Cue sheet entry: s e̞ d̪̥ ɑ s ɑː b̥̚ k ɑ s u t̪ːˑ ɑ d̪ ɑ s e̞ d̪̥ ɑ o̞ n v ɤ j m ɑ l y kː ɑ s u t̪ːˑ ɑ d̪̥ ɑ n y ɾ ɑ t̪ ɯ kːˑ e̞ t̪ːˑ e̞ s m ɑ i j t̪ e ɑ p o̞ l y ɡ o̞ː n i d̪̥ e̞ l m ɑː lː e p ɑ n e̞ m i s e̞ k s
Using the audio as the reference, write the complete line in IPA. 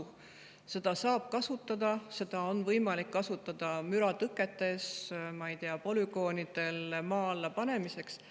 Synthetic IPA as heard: s e̞ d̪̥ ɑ s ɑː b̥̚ k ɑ s u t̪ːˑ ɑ d̪ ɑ s e̞ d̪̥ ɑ o̞ n v ɤ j m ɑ l i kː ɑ s u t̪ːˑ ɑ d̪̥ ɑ m y ɾ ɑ t̪ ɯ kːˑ e̞ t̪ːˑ e̞ s m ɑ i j t̪ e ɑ p o̞ l y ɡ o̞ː n i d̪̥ e̞ l m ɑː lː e p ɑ n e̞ m i s e̞ k s